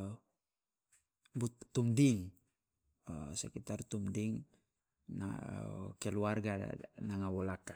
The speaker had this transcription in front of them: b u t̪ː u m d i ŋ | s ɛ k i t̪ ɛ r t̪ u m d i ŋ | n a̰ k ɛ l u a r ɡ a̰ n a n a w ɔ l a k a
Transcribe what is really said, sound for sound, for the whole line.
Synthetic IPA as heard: b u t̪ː u m d i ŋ | s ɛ k i t̪ a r t̪ u m d i ŋ | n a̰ k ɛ l u a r ɡ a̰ n a ŋ a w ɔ l a k a

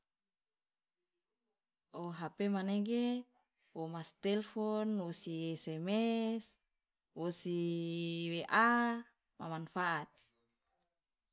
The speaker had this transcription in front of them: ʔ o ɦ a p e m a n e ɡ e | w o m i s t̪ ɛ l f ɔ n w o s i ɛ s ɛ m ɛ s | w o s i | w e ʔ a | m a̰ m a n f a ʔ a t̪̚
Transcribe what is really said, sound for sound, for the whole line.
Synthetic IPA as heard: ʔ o ɦ a p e m a n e ɡ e | w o m a s t̪ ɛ l f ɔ n w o s i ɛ s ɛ m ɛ s | w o s i | w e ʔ a | m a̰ m a n f a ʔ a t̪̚

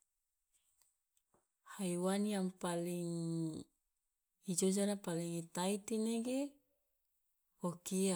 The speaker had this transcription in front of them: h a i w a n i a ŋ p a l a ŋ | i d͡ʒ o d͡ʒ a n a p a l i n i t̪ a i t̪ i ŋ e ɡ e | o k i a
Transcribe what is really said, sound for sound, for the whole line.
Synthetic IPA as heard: h a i w a n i a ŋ p a l i ŋ | i d͡ʒ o d͡ʒ a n a p a l i ŋ i t̪ a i t̪ i n e ɡ e | o k i a

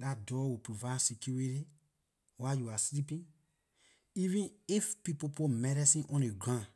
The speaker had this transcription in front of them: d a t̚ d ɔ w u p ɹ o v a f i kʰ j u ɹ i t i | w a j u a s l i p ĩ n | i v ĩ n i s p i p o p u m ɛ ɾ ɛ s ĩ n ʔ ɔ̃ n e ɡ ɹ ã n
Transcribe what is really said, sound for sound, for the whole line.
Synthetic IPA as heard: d a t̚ d ɔ w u p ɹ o v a s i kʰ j u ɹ i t i | w a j u a s l i p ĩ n | i v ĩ n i f p i p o p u m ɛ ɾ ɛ s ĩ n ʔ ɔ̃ n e ɡ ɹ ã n

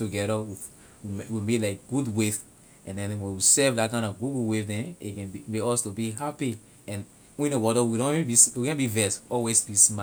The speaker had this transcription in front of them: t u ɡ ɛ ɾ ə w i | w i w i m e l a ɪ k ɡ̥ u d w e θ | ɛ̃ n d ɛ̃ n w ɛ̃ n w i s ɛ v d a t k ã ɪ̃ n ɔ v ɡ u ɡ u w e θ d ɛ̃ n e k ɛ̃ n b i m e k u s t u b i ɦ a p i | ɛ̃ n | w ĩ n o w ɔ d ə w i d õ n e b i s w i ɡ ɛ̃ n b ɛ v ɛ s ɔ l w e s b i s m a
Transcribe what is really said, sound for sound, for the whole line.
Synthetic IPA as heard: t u ɡ ɛ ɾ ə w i | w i w i m e l a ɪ k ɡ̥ u d w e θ | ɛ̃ n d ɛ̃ n w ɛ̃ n w i s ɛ v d a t k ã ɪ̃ n ɔ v ɡ u ɡ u w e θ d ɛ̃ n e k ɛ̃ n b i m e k ɔ s t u b i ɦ a p i | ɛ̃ n | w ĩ n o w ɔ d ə w i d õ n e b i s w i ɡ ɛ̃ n b i v ɛ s ɔ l w e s b i s m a

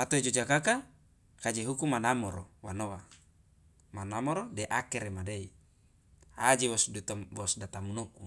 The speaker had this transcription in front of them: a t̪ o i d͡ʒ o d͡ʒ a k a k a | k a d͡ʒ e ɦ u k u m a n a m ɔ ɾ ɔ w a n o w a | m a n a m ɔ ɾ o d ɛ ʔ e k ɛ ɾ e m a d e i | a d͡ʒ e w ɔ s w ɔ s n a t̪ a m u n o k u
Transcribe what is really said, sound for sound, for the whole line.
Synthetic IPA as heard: a t̪ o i d͡ʒ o d͡ʒ a k a k a | k a d͡ʒ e ɦ u k u m a n a m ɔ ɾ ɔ w a n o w a | m a n a m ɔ ɾ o d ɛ ʔ a k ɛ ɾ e m a d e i | a d͡ʒ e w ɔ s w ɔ s d a t̪ a m u n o k u

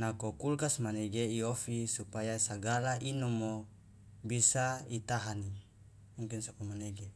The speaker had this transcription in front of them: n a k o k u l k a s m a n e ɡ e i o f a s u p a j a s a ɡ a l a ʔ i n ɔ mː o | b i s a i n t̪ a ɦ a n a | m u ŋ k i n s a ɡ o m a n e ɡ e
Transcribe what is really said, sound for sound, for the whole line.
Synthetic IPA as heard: n a k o k u l k a s m a n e ɡ e i o f i s u p a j a s a ɡ a l a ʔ i n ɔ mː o | b i s a i t̪ a ɦ a n i | m u ŋ k i n s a k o m a n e ɡ e

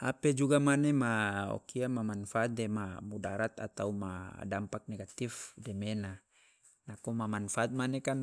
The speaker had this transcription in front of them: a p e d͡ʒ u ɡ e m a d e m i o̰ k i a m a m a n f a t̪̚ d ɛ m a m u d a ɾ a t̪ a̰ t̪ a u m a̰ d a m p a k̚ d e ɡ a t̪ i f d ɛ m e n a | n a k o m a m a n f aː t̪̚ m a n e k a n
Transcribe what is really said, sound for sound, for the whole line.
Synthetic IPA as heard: a p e d͡ʒ u ɡ a m a n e m a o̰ k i a m a m a n f a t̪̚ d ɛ m a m u d a ɾ a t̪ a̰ t̪ a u m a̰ d a m p a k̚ n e ɡ a t̪ i f d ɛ m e n a | n a k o m a m a n f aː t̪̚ m a n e k a n

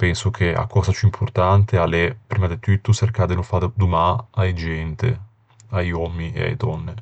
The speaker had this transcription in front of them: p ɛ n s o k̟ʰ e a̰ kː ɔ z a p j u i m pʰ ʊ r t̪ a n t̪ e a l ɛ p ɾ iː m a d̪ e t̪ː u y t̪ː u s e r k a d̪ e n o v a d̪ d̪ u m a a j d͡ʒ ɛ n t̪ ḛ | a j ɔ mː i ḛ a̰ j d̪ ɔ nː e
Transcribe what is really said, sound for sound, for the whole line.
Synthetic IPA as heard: p ɛ n s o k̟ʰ e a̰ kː ɔ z a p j u i m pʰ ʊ r t̪ a n t̪ e a l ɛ p ɾ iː m a d̪ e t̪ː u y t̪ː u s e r k a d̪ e n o f a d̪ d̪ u m a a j d͡ʒ ɛ n t̪ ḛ | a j ɔ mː i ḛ a̰ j d̪ ɔ nː e

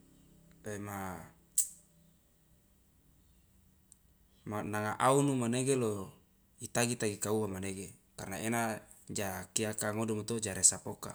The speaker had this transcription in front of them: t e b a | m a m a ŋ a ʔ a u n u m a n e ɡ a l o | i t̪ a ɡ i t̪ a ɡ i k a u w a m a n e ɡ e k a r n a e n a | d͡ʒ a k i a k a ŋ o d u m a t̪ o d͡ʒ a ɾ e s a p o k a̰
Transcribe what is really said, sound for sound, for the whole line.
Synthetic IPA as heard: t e m a | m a n a ŋ a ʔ a u n u m a n e ɡ e l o | i t̪ a ɡ i t̪ a ɡ i k a u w a m a n e ɡ e k a r n a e n a | d͡ʒ a k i a k a ŋ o d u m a t̪ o d͡ʒ a ɾ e s a p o k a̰

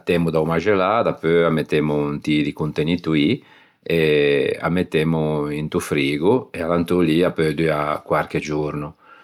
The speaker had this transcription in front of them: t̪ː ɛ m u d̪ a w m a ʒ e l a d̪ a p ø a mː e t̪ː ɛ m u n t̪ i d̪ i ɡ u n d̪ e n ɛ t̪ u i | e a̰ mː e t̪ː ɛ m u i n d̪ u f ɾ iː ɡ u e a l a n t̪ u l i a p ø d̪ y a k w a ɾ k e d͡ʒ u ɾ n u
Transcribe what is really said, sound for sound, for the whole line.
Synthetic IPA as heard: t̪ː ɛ m u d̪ a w m a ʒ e l a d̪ a p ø a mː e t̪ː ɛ m u n t̪ i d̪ i k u n t̪ e n i t̪ u i | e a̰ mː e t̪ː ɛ m u i n t̪ u f ɾ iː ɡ u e a l a n t̪ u l i a p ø d̪ y a k w a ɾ k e d͡ʒ u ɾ n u

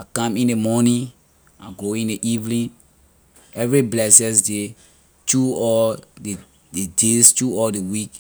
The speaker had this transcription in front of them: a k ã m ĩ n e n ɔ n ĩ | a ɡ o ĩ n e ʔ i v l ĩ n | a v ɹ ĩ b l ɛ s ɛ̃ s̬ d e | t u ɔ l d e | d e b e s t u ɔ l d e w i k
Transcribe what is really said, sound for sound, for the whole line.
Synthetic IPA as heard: a k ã m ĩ n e m ɔ n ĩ | a ɡ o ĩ n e ʔ i v l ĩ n | ɛ v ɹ i b l ɛ s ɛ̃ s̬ d e | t u ɔ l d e | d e d e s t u ɔ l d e w i k

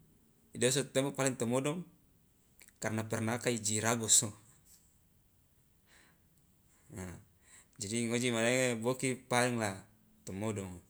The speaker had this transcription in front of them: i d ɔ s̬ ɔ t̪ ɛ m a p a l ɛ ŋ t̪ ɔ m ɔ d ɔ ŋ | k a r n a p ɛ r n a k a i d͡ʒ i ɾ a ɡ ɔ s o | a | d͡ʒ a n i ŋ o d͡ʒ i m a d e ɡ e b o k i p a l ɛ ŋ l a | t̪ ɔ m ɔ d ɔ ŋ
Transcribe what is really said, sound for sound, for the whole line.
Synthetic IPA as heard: i d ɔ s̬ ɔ t̪ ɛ m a p a l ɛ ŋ t̪ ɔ m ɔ d ɔ ŋ | k a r n a p ɛ r n a k a i d͡ʒ i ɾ a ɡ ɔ s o | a | d͡ʒ a d i ŋ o d͡ʒ i m a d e ŋ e b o k i p a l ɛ ŋ l a | t̪ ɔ m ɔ d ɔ ŋ

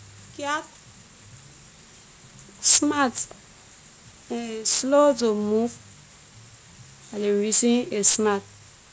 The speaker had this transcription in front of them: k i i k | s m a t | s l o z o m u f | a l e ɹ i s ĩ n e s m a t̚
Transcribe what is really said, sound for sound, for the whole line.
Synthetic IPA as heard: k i a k | s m a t | s l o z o m u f | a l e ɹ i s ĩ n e s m a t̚

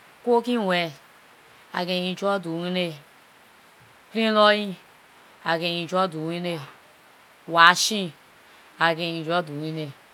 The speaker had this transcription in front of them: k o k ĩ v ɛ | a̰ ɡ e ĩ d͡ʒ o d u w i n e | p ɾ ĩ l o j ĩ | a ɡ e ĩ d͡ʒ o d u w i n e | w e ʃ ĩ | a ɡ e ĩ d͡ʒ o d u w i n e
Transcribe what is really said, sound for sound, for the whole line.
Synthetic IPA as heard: k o k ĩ w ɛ | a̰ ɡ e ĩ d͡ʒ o d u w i n e | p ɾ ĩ l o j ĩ | a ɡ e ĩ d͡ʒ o d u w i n e | w a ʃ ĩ | a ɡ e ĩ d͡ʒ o d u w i n e

